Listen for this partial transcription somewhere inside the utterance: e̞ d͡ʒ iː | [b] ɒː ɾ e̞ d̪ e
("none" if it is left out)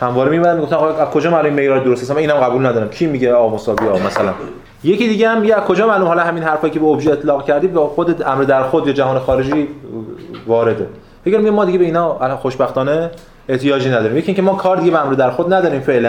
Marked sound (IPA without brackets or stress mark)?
v